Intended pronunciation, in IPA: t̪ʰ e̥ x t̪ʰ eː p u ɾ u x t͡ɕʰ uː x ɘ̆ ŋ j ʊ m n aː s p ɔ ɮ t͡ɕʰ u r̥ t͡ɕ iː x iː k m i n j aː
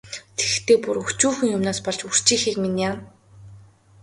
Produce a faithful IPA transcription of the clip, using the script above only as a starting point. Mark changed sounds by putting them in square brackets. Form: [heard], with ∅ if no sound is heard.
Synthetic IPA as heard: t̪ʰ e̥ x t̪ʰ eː p u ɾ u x [t͡ɕ] uː x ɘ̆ ŋ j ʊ m n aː s p ɔ ɮ [t͡ɕ] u r̥ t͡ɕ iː x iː k m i n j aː